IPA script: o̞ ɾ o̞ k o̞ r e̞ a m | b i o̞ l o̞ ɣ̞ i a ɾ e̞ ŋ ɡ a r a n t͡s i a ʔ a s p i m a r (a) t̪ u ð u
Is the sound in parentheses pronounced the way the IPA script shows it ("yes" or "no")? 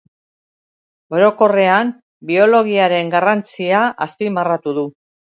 yes